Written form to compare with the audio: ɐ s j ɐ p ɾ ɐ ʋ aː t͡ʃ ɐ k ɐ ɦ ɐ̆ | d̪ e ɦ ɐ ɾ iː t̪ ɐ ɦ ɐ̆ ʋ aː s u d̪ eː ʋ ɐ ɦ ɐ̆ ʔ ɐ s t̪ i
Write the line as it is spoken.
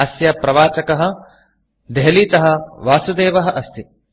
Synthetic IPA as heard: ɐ s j ɐ p ɾ ɐ ʋ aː t͡ʃ ɐ k ɐ ɦ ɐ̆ | d̪ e ɦ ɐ l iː t̪ ɐ ɦ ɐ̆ ʋ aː s u d̪ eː ʋ ɐ ɦ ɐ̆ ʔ ɐ s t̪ i